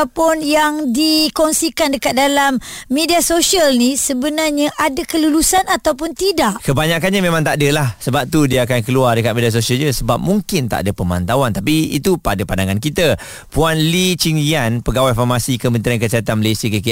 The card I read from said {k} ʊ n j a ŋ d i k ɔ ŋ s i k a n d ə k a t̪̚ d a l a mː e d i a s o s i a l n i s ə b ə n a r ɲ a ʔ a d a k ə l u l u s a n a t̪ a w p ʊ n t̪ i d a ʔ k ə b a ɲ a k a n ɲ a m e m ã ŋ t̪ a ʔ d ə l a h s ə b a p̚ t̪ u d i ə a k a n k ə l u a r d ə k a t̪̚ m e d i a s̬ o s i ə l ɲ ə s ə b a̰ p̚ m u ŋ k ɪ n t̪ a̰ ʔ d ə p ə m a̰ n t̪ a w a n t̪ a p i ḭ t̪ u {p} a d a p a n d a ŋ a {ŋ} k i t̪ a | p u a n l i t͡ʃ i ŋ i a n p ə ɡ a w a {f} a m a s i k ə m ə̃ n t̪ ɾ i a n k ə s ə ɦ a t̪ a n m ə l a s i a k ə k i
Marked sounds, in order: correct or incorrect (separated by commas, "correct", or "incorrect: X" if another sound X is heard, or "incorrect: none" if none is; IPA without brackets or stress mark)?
incorrect: p, correct, incorrect: n, correct